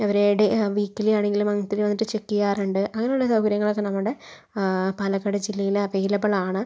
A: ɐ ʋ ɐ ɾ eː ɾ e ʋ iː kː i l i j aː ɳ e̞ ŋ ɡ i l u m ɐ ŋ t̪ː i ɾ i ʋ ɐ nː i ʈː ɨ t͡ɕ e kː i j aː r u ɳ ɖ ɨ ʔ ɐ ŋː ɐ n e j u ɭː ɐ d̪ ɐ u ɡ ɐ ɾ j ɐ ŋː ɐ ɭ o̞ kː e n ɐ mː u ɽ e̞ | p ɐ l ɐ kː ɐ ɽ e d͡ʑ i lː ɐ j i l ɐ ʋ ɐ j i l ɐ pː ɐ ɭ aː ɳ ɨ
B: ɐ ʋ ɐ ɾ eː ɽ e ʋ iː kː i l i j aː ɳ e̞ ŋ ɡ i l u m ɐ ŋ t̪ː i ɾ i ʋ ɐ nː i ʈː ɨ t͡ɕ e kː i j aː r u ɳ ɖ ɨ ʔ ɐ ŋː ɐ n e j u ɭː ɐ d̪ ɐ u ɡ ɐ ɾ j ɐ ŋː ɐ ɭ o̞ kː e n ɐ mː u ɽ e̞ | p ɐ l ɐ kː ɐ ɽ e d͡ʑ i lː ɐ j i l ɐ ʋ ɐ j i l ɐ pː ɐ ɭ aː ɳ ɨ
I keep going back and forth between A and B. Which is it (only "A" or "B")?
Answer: B